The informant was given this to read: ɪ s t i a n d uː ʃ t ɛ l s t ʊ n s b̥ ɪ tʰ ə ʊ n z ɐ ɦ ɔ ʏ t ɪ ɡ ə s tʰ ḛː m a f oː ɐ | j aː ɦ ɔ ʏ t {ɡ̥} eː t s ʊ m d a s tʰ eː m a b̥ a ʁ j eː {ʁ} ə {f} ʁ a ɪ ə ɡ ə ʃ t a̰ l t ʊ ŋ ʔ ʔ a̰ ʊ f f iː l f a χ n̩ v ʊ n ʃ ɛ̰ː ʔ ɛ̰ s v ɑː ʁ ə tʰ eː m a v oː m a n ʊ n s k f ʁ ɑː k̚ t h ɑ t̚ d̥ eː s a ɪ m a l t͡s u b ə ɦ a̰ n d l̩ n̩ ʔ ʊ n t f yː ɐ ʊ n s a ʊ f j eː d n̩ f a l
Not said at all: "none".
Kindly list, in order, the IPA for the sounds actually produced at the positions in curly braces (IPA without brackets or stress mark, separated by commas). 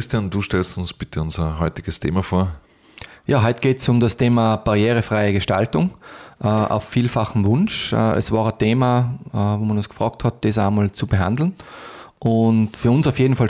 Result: ɡ̥, ʁ, f